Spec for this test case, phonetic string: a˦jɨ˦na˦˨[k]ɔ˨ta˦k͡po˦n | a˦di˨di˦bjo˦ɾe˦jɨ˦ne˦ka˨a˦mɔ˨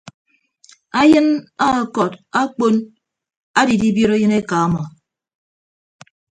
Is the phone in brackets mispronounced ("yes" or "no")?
no